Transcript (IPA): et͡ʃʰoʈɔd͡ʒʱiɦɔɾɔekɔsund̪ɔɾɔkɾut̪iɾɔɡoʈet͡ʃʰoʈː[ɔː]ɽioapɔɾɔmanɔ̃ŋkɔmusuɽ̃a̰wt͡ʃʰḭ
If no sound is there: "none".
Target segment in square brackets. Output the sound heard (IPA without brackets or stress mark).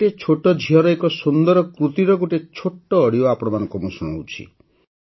ɔː